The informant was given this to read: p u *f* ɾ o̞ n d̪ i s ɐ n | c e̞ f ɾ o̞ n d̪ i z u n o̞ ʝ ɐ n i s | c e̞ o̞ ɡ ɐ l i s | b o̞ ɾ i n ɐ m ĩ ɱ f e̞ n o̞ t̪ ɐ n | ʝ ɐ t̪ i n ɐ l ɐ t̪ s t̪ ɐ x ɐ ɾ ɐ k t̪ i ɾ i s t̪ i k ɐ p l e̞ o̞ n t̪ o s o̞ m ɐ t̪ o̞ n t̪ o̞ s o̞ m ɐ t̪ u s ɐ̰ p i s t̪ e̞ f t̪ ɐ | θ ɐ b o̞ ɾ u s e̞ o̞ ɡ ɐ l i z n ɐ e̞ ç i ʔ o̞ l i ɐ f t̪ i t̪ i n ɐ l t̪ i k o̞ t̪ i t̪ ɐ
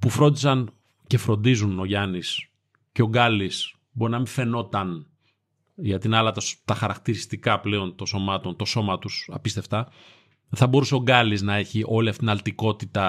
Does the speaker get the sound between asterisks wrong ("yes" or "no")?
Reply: no